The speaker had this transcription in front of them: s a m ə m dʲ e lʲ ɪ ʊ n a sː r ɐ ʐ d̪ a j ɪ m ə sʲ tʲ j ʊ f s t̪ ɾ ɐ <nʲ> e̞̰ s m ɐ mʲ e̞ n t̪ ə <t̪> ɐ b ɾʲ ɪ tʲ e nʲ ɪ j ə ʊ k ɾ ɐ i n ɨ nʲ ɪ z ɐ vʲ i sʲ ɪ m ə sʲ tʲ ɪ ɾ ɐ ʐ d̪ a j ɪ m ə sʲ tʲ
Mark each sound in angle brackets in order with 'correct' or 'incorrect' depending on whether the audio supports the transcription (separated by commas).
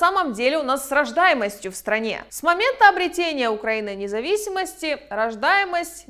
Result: correct, incorrect